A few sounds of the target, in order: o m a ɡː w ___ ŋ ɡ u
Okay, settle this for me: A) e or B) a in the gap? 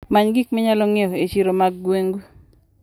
A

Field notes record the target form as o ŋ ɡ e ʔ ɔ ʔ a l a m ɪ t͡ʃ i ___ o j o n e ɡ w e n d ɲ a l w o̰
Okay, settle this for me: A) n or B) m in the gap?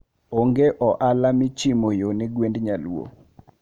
B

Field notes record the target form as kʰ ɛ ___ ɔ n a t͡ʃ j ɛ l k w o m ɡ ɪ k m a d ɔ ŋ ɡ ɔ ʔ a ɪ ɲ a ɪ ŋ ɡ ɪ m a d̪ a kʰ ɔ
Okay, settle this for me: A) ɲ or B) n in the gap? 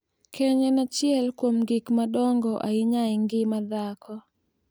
A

